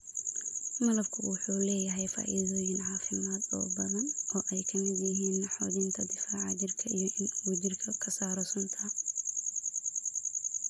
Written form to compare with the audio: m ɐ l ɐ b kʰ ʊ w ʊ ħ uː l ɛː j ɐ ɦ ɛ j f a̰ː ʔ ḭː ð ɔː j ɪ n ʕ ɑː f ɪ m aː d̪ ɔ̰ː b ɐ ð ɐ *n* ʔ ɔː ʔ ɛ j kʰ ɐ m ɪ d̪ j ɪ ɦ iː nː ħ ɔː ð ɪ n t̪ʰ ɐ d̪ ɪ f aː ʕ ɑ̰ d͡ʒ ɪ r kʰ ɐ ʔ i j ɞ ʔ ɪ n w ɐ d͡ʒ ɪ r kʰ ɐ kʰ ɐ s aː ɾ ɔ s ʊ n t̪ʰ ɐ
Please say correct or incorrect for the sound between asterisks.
correct